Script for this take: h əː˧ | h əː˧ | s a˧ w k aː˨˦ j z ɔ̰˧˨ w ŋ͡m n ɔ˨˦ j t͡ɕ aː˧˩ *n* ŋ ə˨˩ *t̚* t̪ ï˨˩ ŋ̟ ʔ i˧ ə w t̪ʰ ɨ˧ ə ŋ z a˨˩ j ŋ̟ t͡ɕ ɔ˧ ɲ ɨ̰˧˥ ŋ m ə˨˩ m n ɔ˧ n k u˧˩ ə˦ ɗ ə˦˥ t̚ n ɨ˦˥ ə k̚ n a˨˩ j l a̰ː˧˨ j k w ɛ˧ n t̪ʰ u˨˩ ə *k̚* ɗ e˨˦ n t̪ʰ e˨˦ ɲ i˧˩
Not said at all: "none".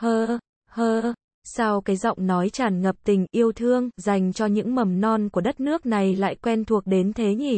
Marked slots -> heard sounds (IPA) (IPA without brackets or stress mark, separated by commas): n, p̚, k̚